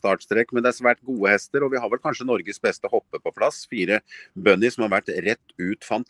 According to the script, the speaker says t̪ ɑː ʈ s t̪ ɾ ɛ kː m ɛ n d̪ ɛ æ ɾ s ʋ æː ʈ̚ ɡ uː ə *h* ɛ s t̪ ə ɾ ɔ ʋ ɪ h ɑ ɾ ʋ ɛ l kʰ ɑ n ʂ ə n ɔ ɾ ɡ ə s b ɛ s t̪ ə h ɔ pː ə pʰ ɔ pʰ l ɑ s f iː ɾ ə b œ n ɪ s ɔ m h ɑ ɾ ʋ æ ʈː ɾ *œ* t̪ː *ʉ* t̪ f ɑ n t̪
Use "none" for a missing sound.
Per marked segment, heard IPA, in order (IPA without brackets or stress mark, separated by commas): h, ɛ, ʉː